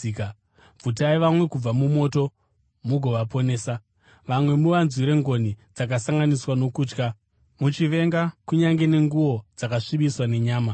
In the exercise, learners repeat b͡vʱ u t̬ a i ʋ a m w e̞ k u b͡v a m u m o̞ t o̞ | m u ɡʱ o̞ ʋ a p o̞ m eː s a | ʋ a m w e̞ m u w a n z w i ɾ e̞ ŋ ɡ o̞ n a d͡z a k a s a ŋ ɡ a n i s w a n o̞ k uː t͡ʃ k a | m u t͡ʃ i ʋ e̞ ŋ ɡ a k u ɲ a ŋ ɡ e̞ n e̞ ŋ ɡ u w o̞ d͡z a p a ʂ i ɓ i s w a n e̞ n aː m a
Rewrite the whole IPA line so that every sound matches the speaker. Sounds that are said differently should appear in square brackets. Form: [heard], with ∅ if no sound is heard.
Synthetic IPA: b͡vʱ u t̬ a i ʋ a m w e̞ k u b͡v a m u m o̞ t o̞ | m u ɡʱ o̞ ʋ a p o̞ [n] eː s a | ʋ a m w e̞ m u [ʋ] a n z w i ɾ e̞ ŋ ɡ o̞ n [i] d͡z a k a s a ŋ ɡ a n i s w a n o̞ k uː t͡ʃ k a | m u t͡ʃ i ʋ e̞ ŋ ɡ a k u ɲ a ŋ ɡ e̞ n e̞ ŋ ɡ u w o̞ d͡z a [k] a ʂ i ɓ i s w a n e̞ [ɲ] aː m a